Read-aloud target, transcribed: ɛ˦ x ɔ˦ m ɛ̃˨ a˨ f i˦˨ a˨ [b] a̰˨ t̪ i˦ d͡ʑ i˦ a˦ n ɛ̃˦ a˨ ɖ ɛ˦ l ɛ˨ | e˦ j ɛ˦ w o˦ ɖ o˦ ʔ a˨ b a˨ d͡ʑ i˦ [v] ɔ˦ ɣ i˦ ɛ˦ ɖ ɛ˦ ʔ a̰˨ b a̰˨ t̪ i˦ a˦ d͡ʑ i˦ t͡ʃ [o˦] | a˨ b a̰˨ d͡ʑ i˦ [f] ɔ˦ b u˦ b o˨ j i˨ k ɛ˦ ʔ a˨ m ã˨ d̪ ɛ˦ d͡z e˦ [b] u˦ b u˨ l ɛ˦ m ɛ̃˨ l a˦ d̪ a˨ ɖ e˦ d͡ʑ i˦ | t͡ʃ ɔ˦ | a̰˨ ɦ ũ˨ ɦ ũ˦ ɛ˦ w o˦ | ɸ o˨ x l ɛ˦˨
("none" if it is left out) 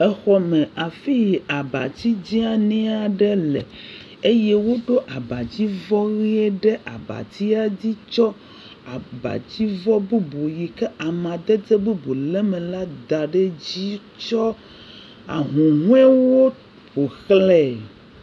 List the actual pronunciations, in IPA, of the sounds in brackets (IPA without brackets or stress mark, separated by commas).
b, v, ɔ˦, v, b